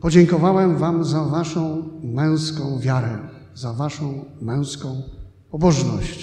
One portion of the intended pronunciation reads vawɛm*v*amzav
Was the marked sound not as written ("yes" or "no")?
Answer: no